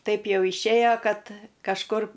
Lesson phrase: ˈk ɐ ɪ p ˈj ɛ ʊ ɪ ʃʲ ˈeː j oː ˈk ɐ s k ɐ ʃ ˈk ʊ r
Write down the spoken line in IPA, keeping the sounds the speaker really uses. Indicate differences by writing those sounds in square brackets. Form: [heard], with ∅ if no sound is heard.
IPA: [ˈt] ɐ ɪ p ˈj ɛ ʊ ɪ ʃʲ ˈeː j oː ˈk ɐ [t] k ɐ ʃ ˈk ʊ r

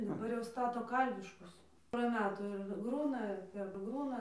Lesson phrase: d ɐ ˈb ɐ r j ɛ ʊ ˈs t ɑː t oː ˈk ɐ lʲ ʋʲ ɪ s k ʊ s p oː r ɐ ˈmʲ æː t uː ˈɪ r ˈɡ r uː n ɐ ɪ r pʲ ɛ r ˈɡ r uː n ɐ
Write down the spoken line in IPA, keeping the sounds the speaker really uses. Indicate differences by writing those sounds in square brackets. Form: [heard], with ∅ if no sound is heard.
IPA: d ɐ ˈb ɐ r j ɛ ʊ ˈs t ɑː t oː ˈk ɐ lʲ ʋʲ ɪ [ʃ] k ʊ s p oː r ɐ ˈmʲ æː t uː ˈɪ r ˈɡ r uː n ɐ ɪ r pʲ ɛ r ˈɡ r uː n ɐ

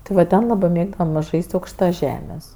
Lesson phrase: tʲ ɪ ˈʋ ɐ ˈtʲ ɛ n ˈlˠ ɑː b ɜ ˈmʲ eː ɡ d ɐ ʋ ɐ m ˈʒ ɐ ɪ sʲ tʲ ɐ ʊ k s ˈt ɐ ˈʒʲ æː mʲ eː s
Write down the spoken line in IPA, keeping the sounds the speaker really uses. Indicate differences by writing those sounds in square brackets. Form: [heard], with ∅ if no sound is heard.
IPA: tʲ ɪ ˈʋ ɐ ˈtʲ ɛ n ˈlˠ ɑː b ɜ ˈmʲ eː ɡ d ɐ ʋ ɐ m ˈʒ ɐ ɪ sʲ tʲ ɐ ʊ k [ʃ] ˈt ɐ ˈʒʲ æː mʲ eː s

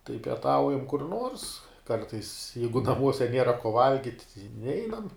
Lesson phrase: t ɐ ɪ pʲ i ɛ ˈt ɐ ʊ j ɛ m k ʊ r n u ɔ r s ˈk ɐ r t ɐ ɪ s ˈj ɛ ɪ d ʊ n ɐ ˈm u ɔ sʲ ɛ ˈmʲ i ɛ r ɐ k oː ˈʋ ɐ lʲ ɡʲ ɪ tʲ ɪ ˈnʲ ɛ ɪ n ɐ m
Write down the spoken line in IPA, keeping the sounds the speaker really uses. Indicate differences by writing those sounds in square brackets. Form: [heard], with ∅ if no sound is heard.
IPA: t ɐ ɪ pʲ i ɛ ˈt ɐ ʊ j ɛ m k ʊ r n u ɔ r s ˈk ɐ r t ɐ ɪ s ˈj ɛ ɪ [ɡ] ʊ n ɐ ˈm u ɔ sʲ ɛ [ˈnʲ] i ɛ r ɐ k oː ˈʋ ɐ lʲ ɡʲ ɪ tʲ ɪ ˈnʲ ɛ ɪ n ɐ m

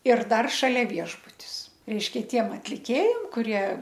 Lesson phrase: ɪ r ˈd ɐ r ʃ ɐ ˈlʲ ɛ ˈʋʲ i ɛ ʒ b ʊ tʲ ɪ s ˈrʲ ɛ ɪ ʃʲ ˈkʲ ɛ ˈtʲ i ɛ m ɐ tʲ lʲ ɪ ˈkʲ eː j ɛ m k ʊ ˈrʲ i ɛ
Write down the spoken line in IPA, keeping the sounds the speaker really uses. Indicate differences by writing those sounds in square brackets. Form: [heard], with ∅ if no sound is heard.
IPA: ɪ r ˈd ɐ r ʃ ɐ ˈlʲ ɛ ˈʋʲ i ɛ ʒ b ʊ tʲ ɪ s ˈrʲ ɛ ɪ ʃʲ ˈkʲ ɛ ˈtʲ i ɛ m ɐ tʲ lʲ ɪ ˈkʲ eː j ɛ m k ʊ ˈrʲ i ɛ

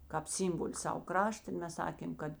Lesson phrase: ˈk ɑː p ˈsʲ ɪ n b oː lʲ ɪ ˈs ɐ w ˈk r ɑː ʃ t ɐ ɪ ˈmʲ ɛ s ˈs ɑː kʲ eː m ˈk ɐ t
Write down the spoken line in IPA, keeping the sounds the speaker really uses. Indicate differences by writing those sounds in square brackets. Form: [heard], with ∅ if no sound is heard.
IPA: ˈk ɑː p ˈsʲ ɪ [m] b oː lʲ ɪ ˈs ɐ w ˈk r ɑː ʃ t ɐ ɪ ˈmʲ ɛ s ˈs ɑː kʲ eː m ˈk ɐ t

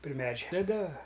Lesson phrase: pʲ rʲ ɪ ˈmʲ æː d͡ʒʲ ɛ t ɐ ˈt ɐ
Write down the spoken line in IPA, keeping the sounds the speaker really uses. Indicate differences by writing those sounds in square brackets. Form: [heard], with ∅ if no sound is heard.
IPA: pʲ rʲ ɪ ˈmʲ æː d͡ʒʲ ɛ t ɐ [ˈd] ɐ

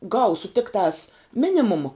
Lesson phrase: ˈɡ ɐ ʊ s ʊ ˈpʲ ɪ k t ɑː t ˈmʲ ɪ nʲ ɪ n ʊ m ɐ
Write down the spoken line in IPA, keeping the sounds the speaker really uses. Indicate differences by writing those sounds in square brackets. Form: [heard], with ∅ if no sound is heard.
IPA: ˈɡ ɐ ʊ s ʊ [ˈtʲ] ɪ k t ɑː [s] ˈmʲ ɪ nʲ ɪ [m] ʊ m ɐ

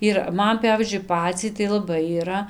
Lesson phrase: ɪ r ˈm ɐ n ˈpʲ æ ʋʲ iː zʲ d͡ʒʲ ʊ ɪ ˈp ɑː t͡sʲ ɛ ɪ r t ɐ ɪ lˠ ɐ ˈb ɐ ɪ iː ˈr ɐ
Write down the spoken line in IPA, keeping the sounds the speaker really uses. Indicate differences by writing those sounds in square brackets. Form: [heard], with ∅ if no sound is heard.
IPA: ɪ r ˈm ɐ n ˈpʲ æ ʋʲ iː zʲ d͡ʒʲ ʊ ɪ ˈp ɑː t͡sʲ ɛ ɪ [∅] t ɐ ɪ lˠ ɐ ˈb ɐ ɪ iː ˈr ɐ

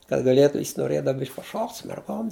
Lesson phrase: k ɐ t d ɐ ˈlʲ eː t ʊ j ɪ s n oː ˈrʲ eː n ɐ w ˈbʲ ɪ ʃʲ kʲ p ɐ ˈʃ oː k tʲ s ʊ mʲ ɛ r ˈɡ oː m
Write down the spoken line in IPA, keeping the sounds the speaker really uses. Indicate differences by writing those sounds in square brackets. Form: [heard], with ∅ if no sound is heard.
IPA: k ɐ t [ɡ] ɐ ˈlʲ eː t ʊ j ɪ s n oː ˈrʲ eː [d] ɐ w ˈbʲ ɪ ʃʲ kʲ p ɐ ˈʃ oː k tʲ s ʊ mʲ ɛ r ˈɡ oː m

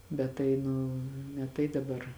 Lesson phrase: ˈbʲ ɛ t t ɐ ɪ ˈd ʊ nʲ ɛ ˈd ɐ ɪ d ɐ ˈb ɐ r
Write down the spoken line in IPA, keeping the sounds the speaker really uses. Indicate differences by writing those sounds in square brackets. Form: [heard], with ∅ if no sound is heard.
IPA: ˈbʲ ɛ t t ɐ ɪ [ˈn] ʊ nʲ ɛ [ˈt] ɐ ɪ d ɐ ˈb ɐ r

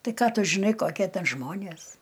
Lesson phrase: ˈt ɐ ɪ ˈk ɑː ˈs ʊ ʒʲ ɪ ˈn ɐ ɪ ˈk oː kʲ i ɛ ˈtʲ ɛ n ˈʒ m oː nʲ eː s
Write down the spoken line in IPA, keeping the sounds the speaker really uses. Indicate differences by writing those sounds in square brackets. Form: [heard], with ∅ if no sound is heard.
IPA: ˈt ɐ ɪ ˈk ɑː [ˈt] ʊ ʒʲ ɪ ˈn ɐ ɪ ˈk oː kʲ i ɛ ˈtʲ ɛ n ˈʒ m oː nʲ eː s

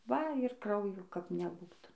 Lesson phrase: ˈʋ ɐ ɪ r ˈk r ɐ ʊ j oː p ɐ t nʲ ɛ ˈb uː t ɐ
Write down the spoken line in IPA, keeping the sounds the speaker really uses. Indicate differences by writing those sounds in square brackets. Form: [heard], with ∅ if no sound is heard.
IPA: ˈʋ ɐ ɪ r ˈk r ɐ ʊ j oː [k] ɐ [p] nʲ ɛ ˈb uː t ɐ

